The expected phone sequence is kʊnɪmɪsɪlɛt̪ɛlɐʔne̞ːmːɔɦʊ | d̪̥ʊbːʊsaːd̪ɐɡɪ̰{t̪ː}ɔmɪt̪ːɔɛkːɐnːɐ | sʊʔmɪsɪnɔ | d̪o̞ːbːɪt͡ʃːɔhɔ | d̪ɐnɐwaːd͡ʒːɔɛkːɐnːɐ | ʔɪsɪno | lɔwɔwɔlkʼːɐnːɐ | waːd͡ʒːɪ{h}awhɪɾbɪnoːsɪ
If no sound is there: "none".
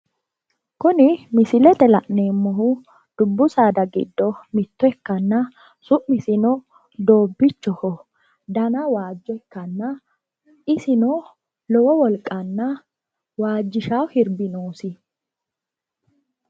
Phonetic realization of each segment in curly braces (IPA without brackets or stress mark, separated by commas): d̪ː, ʃ